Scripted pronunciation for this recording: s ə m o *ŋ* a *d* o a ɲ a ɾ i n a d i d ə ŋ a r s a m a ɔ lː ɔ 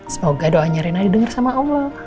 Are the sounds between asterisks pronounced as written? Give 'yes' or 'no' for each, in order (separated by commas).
no, yes